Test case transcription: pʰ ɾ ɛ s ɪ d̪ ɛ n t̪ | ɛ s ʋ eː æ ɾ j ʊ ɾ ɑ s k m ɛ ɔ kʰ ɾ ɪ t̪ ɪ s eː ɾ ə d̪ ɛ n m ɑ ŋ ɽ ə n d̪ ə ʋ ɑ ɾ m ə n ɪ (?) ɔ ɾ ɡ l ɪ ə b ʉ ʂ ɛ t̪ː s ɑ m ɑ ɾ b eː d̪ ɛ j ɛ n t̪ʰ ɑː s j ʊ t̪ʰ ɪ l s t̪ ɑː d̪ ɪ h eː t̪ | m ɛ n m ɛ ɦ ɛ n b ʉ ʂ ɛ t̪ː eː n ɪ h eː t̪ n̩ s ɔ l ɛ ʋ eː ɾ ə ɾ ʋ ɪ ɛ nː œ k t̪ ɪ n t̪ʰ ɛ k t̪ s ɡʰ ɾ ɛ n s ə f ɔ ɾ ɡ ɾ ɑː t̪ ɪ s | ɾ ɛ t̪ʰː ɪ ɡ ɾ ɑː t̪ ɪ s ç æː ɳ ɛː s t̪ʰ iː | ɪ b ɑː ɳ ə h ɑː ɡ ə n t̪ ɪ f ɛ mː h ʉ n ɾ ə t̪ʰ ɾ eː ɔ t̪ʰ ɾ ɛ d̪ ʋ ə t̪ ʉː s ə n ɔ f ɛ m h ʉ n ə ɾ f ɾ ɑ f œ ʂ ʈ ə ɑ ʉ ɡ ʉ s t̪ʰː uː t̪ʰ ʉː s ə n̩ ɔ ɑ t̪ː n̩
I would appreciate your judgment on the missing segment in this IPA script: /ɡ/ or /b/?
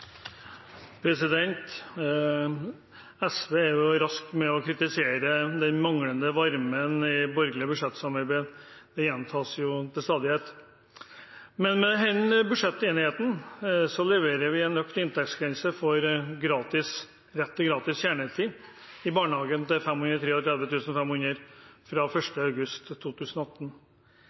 b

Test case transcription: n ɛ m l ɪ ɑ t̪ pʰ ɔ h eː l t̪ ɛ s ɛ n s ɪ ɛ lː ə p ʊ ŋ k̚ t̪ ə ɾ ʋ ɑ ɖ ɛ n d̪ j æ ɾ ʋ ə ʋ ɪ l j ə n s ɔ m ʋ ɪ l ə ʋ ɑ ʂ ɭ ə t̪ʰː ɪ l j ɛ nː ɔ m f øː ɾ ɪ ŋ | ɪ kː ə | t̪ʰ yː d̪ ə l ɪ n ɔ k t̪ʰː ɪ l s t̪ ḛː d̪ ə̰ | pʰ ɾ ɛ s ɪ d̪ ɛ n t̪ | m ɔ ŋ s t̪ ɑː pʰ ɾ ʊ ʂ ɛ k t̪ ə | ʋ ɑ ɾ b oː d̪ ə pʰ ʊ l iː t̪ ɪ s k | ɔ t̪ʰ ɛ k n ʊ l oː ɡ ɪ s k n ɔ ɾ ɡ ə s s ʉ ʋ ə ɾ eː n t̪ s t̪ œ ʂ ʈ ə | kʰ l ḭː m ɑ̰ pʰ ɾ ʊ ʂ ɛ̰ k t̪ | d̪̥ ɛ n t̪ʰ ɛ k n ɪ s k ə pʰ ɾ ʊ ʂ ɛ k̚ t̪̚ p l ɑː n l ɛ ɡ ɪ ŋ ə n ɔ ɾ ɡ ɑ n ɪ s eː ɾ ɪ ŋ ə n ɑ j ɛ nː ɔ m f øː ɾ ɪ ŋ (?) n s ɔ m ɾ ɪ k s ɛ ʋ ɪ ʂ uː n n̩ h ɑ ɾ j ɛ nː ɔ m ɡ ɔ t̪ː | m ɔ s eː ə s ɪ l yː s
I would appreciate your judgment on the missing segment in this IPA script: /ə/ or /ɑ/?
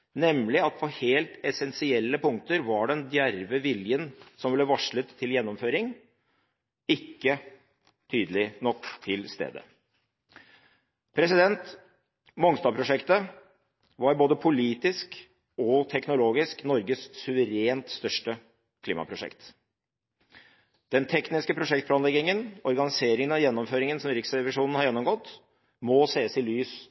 ə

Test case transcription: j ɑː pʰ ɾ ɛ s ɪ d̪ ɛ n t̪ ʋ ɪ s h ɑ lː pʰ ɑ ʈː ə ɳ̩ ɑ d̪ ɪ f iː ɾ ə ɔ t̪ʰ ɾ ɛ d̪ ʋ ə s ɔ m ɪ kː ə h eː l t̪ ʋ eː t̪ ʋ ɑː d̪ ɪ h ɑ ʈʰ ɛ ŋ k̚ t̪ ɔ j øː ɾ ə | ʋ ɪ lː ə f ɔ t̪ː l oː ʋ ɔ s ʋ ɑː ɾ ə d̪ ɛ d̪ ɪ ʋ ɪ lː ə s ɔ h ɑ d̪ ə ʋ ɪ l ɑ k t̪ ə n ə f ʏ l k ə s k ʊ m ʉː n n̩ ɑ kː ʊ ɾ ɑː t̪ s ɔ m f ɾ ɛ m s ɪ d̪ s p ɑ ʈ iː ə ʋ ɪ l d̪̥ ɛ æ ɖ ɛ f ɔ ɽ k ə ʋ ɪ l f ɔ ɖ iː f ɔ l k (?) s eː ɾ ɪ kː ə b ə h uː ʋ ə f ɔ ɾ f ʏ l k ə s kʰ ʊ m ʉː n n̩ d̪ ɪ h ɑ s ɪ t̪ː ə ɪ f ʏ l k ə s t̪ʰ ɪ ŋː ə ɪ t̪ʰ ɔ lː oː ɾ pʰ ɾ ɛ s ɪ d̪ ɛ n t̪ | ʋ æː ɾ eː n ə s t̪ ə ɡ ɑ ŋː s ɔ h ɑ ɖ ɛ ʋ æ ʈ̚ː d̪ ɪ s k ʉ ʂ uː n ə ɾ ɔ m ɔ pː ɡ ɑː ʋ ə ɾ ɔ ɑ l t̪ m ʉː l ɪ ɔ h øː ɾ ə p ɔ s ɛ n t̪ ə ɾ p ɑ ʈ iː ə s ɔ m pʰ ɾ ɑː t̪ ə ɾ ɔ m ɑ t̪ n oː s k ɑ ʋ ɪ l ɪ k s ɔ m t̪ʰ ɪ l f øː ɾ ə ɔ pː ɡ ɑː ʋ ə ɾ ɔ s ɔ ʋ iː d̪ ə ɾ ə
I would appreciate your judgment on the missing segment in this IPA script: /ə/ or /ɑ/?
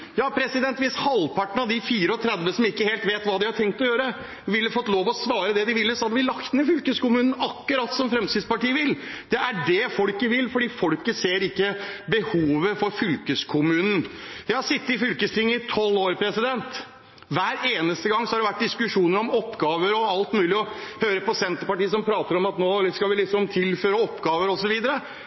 ə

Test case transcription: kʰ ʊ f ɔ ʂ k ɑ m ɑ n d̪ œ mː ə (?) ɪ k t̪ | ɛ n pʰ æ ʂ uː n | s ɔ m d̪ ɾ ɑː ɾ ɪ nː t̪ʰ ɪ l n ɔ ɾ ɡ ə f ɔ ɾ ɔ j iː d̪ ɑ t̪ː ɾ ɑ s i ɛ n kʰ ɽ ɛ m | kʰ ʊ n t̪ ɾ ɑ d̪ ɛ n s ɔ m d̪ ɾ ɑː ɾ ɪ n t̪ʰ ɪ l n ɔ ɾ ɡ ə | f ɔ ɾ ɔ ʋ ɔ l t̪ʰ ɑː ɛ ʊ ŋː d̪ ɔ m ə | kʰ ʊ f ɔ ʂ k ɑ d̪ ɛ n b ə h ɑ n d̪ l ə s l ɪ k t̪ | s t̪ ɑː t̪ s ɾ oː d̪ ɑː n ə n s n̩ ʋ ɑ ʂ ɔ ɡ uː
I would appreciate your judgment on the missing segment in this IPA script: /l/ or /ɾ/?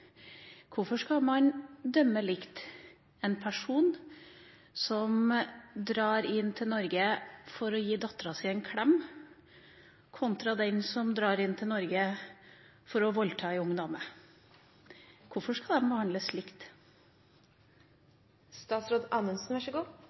l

